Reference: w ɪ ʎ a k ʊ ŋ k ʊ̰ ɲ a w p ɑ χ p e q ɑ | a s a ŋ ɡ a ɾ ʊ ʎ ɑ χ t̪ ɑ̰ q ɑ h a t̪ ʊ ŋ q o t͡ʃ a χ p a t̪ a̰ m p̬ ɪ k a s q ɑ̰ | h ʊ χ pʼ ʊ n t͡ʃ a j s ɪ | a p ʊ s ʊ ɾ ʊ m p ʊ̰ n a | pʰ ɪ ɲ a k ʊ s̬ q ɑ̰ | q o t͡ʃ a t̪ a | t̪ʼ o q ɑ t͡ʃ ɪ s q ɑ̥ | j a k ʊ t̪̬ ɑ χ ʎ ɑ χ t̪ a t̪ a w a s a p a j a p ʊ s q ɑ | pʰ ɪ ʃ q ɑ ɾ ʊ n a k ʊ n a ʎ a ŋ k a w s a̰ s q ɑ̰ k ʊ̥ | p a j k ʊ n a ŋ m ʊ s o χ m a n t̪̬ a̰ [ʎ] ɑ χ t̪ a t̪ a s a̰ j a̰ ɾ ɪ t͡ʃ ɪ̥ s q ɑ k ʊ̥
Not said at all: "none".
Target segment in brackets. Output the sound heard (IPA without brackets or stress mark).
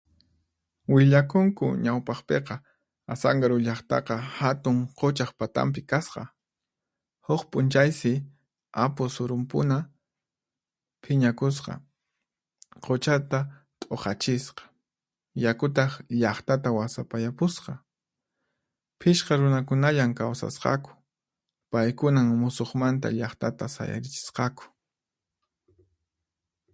ʎ